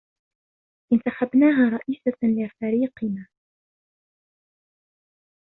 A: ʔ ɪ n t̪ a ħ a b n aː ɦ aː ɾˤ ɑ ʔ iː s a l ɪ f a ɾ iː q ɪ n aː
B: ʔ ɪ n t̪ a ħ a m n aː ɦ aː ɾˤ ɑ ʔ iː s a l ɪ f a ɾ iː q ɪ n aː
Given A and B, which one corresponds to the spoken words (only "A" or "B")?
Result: A